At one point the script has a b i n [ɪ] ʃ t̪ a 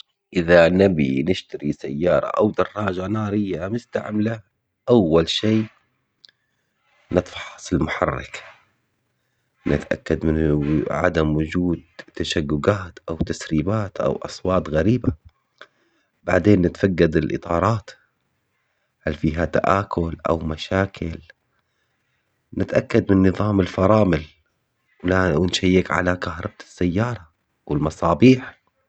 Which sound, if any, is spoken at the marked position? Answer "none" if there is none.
ɪ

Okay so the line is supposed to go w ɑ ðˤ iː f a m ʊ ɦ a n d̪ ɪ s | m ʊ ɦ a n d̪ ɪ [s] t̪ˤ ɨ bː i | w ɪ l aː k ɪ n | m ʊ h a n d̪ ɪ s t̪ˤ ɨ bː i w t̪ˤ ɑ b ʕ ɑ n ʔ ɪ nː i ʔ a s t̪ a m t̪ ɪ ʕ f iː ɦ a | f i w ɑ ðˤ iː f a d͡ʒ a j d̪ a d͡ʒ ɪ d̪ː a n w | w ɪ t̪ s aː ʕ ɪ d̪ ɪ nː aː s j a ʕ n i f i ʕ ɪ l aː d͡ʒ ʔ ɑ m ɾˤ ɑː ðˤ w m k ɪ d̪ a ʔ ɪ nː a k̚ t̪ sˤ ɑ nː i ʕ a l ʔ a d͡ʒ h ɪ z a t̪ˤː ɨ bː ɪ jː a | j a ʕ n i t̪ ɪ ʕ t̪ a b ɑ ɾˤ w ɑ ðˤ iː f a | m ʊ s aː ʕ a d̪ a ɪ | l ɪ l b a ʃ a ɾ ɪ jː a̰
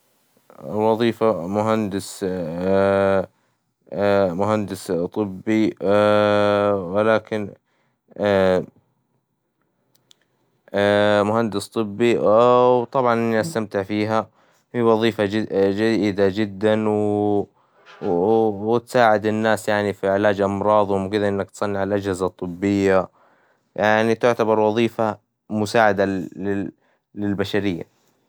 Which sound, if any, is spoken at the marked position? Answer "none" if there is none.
s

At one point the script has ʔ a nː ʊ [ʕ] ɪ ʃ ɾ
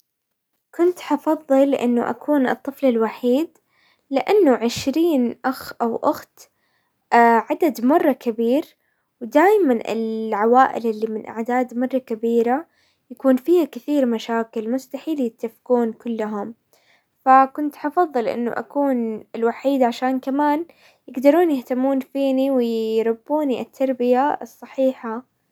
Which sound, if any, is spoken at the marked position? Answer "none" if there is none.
ʕ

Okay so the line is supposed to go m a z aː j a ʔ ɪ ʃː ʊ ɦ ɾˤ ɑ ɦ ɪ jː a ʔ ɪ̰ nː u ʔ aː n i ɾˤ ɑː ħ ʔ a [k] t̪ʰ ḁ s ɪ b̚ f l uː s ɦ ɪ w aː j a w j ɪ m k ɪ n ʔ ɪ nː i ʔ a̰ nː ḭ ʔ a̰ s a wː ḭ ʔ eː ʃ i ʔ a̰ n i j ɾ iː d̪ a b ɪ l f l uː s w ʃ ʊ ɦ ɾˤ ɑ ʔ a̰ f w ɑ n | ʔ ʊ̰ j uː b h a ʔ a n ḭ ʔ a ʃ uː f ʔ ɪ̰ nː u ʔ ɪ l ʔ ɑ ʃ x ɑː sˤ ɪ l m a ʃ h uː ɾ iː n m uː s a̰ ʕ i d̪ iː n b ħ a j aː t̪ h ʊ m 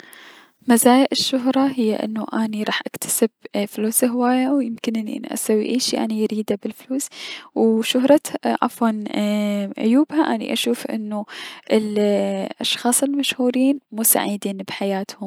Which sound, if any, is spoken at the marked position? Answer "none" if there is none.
k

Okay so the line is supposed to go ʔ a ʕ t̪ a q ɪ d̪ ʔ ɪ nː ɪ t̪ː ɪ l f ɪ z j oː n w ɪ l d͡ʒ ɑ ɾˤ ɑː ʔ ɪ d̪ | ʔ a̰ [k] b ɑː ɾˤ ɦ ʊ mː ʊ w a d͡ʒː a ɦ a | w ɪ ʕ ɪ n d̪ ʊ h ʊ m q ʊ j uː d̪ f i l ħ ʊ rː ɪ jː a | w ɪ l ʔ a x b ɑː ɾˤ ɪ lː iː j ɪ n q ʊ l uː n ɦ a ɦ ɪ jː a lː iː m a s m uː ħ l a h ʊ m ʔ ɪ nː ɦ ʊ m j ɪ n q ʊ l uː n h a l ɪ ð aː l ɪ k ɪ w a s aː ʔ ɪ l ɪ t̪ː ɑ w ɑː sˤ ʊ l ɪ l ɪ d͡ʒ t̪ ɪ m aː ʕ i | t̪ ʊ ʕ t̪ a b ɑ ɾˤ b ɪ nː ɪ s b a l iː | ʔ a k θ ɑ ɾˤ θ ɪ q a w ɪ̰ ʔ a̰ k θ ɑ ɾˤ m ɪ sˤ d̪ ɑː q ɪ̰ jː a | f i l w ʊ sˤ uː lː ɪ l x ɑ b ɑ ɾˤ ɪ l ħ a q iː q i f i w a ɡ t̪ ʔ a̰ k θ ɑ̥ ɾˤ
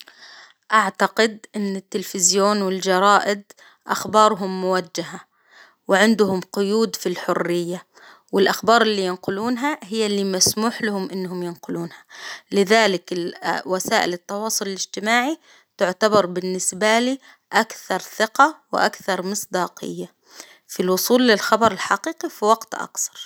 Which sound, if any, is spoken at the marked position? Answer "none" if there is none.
x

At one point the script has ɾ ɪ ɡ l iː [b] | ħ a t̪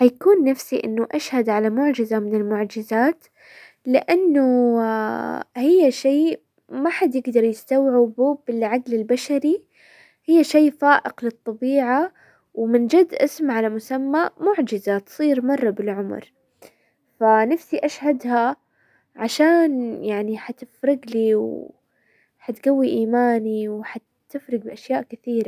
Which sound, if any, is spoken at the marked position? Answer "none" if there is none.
w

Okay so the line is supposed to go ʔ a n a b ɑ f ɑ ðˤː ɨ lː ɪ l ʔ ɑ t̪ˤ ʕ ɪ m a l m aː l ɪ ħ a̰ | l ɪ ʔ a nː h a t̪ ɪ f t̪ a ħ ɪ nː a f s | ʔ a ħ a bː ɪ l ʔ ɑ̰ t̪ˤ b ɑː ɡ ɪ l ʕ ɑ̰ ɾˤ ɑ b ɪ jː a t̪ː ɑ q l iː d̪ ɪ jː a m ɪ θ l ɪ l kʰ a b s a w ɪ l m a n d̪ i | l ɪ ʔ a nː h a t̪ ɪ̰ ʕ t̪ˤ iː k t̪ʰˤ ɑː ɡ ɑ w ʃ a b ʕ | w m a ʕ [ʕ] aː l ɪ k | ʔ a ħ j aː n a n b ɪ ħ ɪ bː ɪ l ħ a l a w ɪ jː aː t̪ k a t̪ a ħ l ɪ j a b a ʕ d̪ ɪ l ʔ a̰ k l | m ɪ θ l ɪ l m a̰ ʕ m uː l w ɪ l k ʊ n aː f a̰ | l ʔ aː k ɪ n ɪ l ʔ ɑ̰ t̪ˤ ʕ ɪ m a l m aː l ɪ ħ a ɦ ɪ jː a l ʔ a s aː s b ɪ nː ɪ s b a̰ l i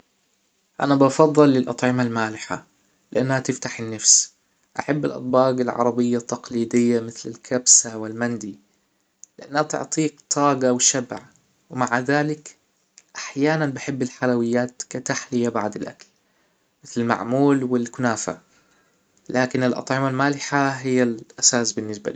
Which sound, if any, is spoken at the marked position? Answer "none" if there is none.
ð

